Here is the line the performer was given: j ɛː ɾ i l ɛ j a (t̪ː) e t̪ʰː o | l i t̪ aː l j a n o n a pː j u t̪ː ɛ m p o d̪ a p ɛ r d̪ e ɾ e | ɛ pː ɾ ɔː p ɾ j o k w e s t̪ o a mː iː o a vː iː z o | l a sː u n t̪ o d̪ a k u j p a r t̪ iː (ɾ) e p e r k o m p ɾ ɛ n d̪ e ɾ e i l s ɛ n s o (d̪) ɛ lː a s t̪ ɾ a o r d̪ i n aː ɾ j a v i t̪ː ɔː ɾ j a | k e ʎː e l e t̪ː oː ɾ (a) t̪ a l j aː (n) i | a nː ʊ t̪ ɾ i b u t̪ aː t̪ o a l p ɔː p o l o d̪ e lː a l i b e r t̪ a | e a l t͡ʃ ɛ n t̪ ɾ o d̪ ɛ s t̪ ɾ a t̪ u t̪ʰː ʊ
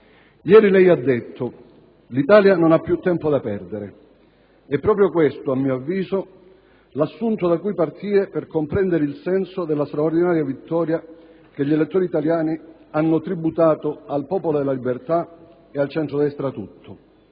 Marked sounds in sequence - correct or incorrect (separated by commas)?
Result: incorrect, correct, correct, incorrect, correct